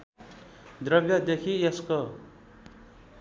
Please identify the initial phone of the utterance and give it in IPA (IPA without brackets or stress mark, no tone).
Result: d̪